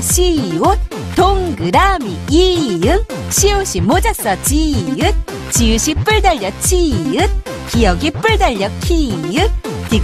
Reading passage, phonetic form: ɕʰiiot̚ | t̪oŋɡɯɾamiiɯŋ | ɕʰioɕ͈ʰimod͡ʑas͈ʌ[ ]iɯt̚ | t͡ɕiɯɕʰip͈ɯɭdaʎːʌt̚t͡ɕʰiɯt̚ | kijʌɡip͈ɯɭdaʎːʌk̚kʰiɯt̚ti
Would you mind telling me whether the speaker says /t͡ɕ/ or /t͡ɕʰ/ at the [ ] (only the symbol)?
t͡ɕ